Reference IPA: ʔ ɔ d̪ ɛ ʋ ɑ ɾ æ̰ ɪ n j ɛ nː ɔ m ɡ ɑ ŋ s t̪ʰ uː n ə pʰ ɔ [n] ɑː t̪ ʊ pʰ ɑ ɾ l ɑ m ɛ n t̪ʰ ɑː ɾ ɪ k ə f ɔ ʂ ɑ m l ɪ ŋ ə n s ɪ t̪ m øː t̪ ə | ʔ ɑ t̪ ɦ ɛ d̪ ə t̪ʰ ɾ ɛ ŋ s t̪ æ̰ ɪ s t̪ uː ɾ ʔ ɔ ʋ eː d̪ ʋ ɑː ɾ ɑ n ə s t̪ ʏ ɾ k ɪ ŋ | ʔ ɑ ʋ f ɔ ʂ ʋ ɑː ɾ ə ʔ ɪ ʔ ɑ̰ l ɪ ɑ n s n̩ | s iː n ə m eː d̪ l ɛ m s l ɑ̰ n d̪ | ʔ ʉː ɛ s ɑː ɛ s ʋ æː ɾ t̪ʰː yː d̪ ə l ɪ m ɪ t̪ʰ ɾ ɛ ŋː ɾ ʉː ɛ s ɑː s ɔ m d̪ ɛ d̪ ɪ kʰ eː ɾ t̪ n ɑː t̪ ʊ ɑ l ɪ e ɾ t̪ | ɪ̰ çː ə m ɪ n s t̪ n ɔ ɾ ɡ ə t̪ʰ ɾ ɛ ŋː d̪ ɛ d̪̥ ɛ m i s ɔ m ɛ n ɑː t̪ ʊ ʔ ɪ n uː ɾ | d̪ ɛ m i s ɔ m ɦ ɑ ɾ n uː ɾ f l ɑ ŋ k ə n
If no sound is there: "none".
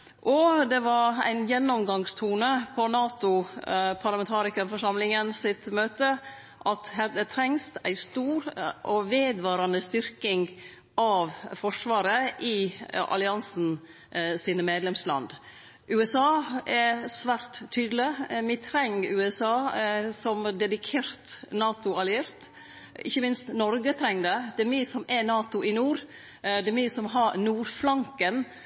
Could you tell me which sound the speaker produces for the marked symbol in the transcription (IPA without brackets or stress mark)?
n